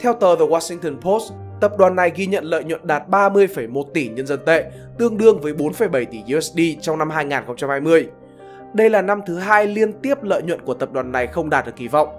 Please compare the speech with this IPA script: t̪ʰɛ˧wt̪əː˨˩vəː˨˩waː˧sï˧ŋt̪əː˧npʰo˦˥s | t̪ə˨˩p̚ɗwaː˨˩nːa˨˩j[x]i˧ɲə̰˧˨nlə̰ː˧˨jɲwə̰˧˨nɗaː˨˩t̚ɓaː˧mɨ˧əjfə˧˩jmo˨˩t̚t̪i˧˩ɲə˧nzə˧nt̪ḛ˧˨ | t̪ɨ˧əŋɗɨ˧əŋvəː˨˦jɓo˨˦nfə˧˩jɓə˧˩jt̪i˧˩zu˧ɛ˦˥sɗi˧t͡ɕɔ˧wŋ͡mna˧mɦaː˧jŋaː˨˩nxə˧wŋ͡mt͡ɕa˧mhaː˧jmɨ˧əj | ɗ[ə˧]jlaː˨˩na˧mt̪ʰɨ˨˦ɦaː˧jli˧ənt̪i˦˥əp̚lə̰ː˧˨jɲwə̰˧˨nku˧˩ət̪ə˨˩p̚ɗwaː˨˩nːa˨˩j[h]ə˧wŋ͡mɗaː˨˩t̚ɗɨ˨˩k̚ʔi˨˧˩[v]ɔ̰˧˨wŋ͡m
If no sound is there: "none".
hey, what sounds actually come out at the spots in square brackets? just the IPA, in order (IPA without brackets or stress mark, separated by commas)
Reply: ɣ, ə˧, x, v